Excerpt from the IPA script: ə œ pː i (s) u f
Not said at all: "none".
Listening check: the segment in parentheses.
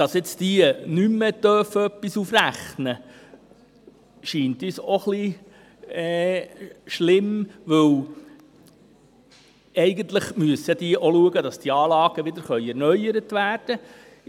s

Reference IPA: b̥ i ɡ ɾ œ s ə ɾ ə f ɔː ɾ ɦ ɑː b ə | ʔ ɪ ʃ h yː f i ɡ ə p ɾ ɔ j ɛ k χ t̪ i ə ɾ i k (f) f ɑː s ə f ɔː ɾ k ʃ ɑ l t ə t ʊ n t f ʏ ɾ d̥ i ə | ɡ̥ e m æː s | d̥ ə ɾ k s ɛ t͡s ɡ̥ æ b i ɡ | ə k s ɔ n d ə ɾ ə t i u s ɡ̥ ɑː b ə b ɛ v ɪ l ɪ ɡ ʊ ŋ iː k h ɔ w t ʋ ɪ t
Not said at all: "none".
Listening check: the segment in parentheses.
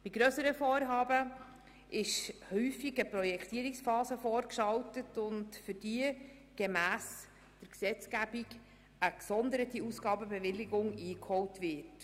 s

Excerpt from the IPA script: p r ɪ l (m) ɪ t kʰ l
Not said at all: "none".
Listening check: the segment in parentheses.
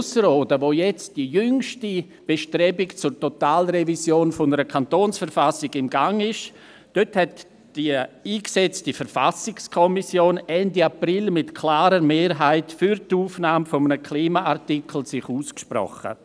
m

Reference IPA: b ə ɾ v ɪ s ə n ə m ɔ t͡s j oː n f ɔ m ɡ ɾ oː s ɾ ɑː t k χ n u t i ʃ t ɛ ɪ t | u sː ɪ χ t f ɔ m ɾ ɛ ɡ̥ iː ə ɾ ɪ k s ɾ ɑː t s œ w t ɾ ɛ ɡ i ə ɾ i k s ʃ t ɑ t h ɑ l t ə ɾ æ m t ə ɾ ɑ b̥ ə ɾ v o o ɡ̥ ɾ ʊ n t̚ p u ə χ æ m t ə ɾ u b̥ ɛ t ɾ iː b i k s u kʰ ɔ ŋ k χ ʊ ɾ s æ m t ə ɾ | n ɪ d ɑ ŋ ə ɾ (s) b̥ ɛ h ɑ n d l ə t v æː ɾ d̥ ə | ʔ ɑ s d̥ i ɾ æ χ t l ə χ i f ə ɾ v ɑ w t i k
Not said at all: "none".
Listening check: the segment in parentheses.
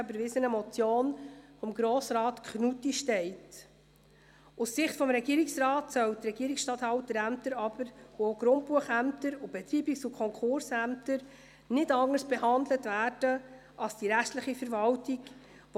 s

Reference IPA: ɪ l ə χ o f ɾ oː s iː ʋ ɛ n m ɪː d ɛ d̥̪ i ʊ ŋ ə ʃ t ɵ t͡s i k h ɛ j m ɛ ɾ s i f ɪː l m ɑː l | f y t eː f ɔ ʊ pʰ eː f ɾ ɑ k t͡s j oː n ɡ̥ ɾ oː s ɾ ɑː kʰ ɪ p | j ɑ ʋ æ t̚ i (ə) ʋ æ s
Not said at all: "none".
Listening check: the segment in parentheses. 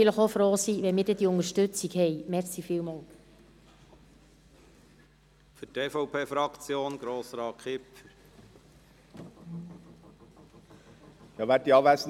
ɑ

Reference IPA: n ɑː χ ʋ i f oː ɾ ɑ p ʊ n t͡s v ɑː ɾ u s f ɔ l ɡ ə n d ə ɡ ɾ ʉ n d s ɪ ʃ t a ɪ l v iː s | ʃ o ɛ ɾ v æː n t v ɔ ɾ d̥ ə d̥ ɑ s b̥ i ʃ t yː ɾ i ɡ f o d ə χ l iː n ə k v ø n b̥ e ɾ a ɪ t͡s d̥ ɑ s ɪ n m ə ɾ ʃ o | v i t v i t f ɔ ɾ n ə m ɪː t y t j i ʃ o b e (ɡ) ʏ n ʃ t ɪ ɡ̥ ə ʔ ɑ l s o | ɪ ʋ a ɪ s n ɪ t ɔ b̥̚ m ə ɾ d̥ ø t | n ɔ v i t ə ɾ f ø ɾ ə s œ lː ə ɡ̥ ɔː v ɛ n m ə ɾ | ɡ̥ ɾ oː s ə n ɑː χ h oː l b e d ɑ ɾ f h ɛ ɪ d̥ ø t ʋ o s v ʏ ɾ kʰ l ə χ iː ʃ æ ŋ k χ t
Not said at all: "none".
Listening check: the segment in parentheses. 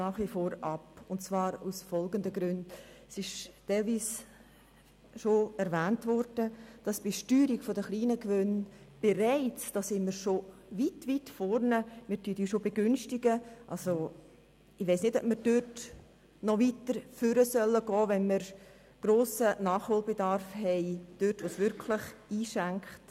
ɡ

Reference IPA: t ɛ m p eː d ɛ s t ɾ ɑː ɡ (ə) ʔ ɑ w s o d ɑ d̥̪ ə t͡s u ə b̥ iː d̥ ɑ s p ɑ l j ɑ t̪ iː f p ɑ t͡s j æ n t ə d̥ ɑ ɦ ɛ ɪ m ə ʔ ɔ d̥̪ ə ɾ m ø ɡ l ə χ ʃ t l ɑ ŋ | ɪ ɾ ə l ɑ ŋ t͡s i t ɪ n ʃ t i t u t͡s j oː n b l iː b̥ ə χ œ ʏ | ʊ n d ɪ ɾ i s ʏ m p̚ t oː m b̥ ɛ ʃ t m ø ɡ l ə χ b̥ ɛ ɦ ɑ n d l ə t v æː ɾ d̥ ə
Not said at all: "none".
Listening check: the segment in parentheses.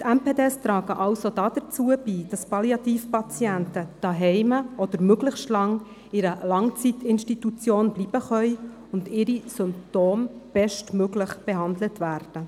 ə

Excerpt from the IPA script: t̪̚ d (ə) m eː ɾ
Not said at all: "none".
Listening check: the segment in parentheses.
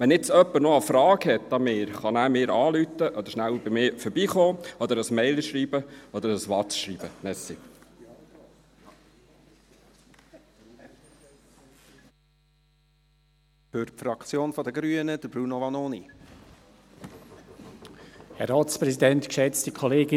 ɑ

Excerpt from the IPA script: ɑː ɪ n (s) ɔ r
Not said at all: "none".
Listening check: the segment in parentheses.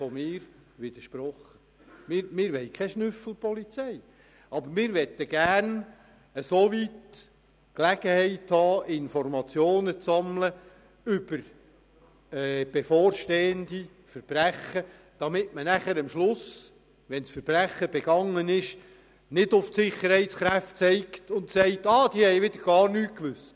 f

